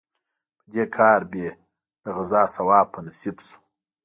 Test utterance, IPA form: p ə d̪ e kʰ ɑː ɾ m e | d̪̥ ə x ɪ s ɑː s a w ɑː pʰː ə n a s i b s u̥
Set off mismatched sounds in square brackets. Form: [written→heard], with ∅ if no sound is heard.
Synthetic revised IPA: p ə d̪ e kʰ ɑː ɾ [m→b] e | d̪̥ ə [x→ɣ] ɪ [s→z] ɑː s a w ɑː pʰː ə n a s i b s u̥